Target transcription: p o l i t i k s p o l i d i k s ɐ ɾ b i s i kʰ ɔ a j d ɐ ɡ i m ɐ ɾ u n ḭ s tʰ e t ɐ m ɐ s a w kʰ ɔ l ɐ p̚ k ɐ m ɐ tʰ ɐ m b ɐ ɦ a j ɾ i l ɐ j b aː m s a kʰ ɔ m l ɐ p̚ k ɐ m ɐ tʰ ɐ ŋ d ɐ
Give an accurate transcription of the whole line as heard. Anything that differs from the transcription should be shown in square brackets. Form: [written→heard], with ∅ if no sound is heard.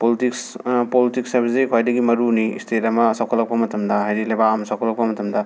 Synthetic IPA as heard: p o l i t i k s p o l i [d→t] i k s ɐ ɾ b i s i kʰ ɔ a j d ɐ ɡ i m ɐ ɾ u n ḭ s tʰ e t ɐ m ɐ s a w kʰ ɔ l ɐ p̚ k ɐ m ɐ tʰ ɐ m [b→d] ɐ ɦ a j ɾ i l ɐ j b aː m s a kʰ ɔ [m→∅] l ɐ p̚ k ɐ m ɐ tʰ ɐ [ŋ→m] d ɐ